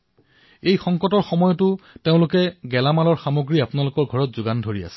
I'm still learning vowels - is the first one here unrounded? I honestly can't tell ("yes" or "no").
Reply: yes